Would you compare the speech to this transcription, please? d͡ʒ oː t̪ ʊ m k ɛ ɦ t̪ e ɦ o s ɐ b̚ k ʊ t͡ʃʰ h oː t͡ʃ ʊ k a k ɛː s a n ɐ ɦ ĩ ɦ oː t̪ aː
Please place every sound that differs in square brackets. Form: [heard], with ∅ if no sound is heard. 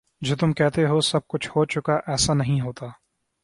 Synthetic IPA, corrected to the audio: d͡ʒ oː t̪ ʊ m k ɛ ɦ t̪ e ɦ o s ɐ b̚ k ʊ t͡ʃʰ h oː t͡ʃ ʊ k a [ʔ] ɛː s a n ɐ ɦ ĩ ɦ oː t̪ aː